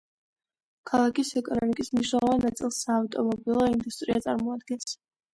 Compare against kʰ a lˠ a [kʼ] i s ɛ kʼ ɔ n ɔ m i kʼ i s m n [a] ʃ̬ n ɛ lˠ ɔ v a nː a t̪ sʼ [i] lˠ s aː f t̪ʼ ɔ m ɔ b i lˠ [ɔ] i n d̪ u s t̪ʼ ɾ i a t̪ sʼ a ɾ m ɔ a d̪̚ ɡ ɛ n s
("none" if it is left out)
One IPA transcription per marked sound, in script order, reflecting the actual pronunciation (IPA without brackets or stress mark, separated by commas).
k, i, i, ɔ